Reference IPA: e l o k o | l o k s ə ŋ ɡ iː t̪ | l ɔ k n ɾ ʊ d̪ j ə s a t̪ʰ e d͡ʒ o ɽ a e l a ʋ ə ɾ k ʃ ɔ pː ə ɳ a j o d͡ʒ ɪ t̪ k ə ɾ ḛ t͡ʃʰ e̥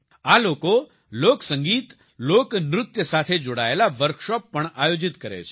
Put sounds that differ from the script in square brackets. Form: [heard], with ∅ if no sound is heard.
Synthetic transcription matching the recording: [a] l o k o | l o k s ə ŋ ɡ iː t̪ | l [o] k n ɾ ʊ [t̪] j ə s a t̪ʰ e d͡ʒ o ɽ a e l a ʋ ə ɾ k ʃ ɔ pː ə ɳ a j o d͡ʒ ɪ t̪ k ə ɾ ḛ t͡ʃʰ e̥